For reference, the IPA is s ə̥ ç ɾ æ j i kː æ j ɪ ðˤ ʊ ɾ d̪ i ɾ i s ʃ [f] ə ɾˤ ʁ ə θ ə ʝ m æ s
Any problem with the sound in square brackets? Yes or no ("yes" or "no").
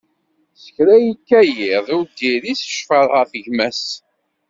no